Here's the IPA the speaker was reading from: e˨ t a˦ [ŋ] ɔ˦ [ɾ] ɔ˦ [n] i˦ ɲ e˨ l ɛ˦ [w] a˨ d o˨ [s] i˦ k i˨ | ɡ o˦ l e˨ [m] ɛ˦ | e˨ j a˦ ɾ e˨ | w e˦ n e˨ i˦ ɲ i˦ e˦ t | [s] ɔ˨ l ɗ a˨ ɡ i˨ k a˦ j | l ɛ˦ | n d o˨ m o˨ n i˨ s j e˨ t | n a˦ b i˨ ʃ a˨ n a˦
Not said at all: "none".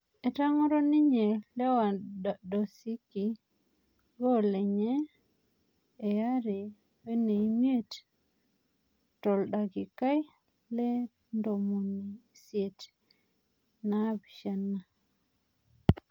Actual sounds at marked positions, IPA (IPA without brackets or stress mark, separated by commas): ŋ, ɾ, n, w, s, ɲ, t